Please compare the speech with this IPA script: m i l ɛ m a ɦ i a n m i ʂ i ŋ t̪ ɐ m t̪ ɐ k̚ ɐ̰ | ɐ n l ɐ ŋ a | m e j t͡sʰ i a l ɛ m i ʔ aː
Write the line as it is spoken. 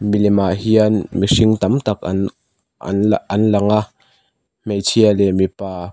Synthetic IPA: m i l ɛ m a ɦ i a n m i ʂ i ŋ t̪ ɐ m t̪ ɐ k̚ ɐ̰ | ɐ n l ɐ ŋ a | m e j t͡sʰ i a l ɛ m i p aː